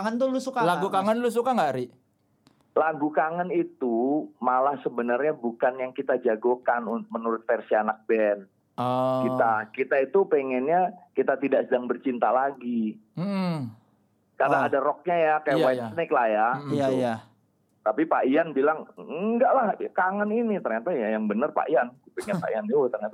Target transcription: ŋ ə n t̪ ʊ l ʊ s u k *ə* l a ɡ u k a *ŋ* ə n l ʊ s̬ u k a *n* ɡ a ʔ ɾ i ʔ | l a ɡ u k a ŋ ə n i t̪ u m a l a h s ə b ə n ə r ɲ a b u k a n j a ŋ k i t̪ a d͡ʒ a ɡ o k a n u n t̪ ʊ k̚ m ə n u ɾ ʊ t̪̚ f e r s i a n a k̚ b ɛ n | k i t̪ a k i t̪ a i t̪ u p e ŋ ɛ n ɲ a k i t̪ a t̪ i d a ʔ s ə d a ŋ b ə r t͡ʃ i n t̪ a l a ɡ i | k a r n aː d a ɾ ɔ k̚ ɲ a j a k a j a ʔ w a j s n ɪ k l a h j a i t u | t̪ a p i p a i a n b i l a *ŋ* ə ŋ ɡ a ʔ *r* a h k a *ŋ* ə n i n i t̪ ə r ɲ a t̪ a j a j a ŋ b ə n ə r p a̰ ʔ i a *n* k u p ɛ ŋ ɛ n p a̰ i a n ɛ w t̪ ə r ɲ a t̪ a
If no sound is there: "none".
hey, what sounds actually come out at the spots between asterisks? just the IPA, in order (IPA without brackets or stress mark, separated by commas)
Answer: a, ŋ, ŋ, ŋ, l, ŋ, n